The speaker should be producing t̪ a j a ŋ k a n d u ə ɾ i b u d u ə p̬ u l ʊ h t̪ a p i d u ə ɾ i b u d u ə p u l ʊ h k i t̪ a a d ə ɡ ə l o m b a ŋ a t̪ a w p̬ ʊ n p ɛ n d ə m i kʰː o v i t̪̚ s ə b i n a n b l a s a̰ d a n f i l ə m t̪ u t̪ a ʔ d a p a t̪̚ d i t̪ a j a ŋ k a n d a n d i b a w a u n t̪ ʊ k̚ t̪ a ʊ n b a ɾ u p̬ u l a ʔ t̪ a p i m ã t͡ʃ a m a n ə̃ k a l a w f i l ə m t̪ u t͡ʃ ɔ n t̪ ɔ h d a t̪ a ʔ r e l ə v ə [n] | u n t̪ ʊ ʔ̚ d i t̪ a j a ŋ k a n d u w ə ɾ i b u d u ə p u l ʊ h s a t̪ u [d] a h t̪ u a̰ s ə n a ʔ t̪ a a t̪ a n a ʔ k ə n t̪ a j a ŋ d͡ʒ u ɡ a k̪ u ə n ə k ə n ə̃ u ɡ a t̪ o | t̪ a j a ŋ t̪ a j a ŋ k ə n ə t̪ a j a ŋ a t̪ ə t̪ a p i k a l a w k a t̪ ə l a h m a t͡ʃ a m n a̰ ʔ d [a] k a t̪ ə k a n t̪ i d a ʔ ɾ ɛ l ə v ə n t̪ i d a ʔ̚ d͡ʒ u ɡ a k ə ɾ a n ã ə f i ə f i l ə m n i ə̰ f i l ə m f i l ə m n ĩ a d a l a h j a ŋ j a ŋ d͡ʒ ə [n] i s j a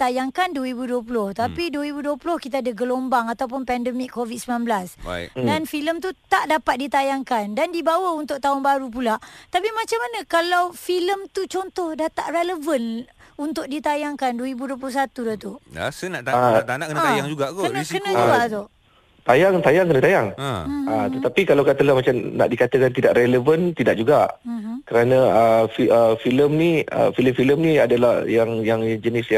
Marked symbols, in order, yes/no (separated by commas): yes, yes, no, yes